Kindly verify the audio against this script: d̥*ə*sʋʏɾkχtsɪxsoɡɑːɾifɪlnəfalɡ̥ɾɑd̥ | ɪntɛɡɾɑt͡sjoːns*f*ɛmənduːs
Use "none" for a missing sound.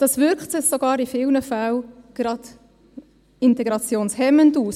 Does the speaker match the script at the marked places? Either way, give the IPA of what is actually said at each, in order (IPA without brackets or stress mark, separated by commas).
ɑ, h